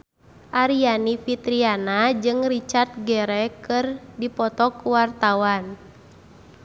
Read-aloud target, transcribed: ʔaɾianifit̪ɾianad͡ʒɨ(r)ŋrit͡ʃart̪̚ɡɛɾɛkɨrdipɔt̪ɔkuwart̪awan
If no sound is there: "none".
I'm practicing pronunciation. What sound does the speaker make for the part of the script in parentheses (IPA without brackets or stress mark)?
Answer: none